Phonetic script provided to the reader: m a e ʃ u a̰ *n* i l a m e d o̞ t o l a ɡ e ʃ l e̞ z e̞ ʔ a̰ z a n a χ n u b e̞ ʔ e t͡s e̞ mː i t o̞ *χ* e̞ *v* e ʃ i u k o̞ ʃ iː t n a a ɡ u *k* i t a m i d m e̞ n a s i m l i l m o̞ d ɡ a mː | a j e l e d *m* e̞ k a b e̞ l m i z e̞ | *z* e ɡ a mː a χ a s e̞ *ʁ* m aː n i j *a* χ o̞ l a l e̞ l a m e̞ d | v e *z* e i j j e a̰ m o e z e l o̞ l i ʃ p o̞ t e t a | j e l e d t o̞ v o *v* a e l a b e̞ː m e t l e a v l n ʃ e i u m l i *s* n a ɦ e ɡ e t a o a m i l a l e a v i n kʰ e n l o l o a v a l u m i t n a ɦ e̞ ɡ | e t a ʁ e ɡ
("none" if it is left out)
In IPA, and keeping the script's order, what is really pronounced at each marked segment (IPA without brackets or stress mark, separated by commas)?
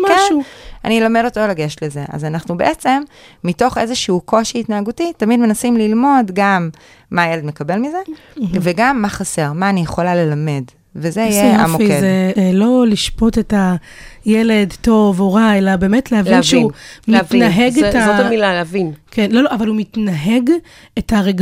n, χ, z, t, m, v, ʁ, e, z, ʁ, t